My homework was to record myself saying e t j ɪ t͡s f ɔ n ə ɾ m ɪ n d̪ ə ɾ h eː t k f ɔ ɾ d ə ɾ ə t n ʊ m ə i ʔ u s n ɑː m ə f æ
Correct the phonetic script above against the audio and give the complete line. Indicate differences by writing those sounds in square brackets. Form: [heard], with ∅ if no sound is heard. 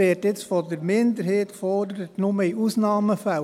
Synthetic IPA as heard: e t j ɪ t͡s f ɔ [d] ə ɾ m ɪ n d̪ ə ɾ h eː t k f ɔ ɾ d ə ɾ ə t n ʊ m ə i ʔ u s n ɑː m ə f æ

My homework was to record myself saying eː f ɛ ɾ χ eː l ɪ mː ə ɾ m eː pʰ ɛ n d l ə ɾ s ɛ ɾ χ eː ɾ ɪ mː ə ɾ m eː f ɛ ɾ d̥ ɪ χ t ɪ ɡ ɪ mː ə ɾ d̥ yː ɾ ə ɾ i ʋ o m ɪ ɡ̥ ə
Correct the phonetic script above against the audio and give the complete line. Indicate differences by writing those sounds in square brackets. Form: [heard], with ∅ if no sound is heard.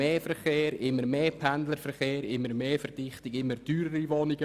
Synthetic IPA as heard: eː f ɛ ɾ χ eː [ɾ] ɪ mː ə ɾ m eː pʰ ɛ n d l ə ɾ [f] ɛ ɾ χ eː ɾ ɪ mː ə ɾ m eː f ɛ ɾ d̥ ɪ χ t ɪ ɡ ɪ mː ə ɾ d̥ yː ɾ ə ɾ i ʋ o [n] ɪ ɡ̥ ə

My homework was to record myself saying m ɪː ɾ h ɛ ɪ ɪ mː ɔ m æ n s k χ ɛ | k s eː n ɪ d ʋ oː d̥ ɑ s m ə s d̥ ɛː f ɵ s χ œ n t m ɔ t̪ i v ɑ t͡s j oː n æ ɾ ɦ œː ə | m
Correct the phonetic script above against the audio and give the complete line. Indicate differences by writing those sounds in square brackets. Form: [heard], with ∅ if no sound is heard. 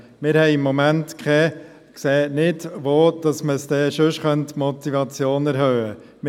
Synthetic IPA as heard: m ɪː ɾ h ɛ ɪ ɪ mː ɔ m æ n [t] k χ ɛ | k s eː n ɪ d ʋ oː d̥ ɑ s m ə s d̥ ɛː [ʃ] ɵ [ʃ] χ œ n t m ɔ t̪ i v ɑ t͡s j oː n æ ɾ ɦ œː ə | m

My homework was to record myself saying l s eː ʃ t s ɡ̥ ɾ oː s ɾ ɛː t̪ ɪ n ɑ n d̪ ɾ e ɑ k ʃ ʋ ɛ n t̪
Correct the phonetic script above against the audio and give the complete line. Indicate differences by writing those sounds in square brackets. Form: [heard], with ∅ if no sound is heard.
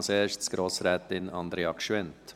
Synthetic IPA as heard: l s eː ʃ t s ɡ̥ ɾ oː s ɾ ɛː t̪ ɪ n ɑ n d̪ ɾ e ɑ k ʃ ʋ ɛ n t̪

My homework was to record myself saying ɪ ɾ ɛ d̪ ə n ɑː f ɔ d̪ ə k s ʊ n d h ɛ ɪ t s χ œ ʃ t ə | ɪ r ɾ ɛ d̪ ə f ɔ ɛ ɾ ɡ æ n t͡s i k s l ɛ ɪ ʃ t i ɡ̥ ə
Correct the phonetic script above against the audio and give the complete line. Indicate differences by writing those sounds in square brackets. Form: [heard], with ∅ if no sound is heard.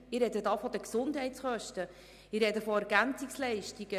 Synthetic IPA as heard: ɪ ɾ ɛ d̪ ə [d] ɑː f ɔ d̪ ə k s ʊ n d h ɛ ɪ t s χ œ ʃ t ə | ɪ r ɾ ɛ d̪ ə f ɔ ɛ ɾ ɡ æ n t͡s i k s l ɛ ɪ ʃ t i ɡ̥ ə

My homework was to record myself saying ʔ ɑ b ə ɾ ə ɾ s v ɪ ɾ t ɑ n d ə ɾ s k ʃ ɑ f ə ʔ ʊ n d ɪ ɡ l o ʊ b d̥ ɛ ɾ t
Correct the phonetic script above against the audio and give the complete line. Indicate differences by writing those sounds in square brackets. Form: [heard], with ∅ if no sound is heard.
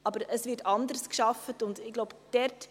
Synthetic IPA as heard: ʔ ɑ b ə ɾ ə [∅] s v ɪ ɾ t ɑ n d ə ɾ s k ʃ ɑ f ə [t] ʊ n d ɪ ɡ l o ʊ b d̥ ɛ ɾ t

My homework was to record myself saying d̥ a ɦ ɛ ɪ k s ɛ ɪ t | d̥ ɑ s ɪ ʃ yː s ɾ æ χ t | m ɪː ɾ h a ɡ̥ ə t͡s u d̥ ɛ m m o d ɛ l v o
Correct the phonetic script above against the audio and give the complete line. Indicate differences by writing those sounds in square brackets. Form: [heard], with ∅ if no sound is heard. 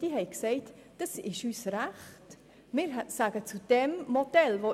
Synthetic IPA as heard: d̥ [i] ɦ ɛ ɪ k s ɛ ɪ t | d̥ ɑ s ɪ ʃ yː s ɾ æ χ t | m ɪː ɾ [s] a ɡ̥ ə t͡s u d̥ ɛ m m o d ɛ l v o

